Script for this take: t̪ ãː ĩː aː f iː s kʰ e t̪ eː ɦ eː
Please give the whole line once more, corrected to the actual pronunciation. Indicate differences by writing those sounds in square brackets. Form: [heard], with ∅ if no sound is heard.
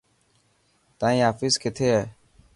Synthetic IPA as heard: t̪ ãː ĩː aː f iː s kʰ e [t̪ʰ] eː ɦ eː